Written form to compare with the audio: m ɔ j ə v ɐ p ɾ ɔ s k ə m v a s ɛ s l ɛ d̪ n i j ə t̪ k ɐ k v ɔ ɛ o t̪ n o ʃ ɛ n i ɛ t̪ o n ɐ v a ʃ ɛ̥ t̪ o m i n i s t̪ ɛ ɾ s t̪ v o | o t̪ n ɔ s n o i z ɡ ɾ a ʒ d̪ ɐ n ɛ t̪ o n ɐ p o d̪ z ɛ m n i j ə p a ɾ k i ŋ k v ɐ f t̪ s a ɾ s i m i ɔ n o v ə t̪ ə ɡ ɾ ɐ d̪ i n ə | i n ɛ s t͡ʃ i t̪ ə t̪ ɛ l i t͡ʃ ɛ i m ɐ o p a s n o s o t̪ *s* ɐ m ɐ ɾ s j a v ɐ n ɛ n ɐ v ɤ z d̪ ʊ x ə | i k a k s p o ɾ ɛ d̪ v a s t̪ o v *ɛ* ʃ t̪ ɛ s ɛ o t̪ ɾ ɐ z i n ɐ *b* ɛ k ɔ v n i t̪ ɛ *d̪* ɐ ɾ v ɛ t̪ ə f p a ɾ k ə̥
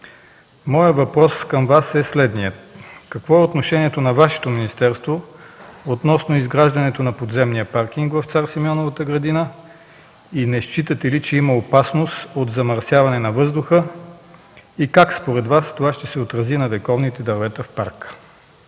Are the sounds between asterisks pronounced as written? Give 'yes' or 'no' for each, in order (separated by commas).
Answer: no, no, no, yes